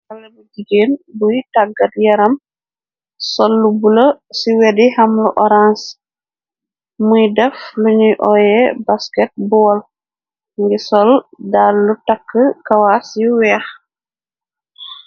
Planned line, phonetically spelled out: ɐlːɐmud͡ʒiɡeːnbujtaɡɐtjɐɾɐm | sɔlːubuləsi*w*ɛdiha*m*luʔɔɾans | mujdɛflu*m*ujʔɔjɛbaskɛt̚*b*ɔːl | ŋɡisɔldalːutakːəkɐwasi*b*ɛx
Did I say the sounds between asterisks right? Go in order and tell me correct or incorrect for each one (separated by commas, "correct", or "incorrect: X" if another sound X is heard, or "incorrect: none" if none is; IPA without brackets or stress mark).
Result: correct, correct, incorrect: ɲ, correct, incorrect: w